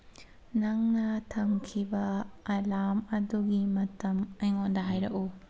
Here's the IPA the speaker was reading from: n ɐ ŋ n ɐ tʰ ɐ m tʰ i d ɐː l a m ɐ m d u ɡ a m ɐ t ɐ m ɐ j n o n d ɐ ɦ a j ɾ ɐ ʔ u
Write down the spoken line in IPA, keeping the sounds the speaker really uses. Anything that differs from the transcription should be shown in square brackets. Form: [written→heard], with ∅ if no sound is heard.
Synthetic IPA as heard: n ɐ ŋ n ɐ tʰ ɐ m [tʰ→kʰ] i [d→b] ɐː l a m ɐ [m→∅] d u ɡ [a→i] m ɐ t ɐ m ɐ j [n→ŋ] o n d ɐ ɦ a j ɾ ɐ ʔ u